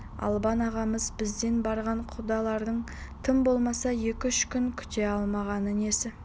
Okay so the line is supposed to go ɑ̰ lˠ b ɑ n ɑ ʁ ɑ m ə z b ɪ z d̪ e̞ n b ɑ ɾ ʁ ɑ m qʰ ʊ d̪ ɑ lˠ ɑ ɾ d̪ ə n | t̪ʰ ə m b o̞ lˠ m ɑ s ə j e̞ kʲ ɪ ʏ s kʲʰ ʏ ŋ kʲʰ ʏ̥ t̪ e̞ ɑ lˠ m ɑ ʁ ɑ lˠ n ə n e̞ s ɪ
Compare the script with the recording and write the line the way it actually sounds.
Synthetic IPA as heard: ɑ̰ lˠ b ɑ n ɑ ʁ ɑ m ə z b ɪ z d̪ e̞ n b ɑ ɾ ʁ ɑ ɴ qʰ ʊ d̪ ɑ lˠ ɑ ɾ d̪ ə ɴ | t̪ʰ ə m b o̞ lˠ m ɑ s ɑ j e̞ kʲ ɪ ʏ ʃ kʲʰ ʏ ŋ kʲʰ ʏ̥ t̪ e̞ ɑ lˠ m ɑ ʁ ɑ n ə n e̞ s ɪ